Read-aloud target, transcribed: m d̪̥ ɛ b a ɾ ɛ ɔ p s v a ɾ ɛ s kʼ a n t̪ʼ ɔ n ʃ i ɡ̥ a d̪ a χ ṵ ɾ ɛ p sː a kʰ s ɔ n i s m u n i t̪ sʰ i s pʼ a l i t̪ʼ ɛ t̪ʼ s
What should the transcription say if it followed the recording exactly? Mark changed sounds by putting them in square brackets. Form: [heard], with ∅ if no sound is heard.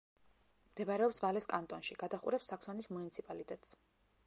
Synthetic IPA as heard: m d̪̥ ɛ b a ɾ ɛ ɔ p s v a [l] ɛ s kʼ a n t̪ʼ ɔ n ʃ i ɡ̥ a d̪ a χ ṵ ɾ ɛ p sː a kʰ s ɔ n i s m u n i t̪ sʰ i [∅] pʼ a l i t̪ʼ ɛ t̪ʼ s

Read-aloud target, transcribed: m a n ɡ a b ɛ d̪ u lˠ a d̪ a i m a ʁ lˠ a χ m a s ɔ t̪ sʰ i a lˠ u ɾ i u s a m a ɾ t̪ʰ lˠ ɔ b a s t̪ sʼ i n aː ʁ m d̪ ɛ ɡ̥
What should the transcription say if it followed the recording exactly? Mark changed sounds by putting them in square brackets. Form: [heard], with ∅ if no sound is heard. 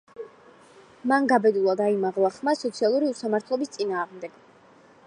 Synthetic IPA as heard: m a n ɡ a b ɛ d̪ u lˠ a d̪ a i m a ʁ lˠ a χ m a s ɔ t̪ sʰ i a lˠ u ɾ i u s a m a ɾ t̪ʰ lˠ ɔ b [i] s t̪ sʼ i n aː ʁ m d̪ ɛ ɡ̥

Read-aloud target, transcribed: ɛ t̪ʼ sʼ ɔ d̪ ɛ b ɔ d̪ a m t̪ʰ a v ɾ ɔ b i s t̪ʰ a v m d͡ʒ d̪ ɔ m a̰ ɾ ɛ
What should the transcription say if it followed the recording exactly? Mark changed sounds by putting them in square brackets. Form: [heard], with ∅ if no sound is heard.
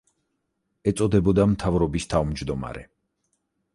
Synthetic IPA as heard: ɛ [t̪] sʼ ɔ d̪ ɛ b ɔ d̪ a m t̪ʰ a v ɾ ɔ b i s t̪ʰ a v m d͡ʒ d̪ ɔ m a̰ ɾ ɛ

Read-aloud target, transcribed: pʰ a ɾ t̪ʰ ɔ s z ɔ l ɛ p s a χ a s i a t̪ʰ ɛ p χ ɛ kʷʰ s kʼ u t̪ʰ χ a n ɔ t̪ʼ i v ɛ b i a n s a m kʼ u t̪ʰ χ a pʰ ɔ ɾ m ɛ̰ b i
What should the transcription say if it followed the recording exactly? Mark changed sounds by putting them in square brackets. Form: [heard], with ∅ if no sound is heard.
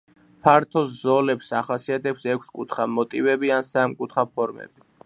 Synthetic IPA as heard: pʰ a ɾ t̪ʰ ɔ s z ɔ l ɛ p s a χ a s i a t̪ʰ ɛ p [s] ɛ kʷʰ s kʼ u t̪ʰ χ a [m] ɔ t̪ʼ i v ɛ b i a n s a m kʼ u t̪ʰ χ a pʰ ɔ ɾ m ɛ̰ b i

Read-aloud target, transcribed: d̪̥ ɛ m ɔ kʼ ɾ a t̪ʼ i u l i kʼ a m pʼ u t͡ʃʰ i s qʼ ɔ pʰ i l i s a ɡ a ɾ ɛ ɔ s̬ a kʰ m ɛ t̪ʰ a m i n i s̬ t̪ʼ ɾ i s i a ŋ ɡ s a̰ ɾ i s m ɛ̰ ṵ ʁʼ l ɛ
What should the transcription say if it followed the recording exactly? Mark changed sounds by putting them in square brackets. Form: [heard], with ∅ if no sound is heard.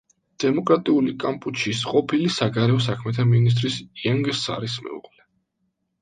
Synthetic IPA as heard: d̪̥ ɛ m ɔ kʼ ɾ a t̪ʼ i u l i kʼ a m pʼ u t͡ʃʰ i s qʼ ɔ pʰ i l i s a ɡ a ɾ ɛ ɔ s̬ a kʰ m ɛ t̪ʰ a m i n i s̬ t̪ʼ ɾ i s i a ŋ ɡ s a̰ ɾ i s m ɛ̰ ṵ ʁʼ l ɛ

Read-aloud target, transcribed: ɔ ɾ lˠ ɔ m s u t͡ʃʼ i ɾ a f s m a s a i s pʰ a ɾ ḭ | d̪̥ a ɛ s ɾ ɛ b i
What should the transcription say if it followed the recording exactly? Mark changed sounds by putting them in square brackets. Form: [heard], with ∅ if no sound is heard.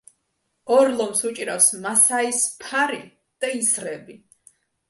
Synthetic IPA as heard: ɔ ɾ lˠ ɔ m s u t͡ʃʼ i ɾ a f s m a s a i s pʰ a ɾ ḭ | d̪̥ a [i] s ɾ ɛ b i

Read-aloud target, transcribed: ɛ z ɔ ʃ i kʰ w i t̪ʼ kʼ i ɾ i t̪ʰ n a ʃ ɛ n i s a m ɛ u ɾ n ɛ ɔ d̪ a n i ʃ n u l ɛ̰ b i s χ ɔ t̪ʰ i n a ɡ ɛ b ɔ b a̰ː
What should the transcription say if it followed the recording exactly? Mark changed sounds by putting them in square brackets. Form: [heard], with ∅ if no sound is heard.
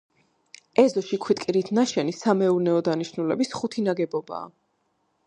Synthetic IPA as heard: ɛ z ɔ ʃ i kʰ w i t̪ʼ kʼ i ɾ i t̪ʰ n a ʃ ɛ n i s a m ɛ u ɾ n ɛ ɔ d̪ a n i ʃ n u l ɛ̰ b i s χ [u] t̪ʰ i n a ɡ ɛ b ɔ b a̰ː

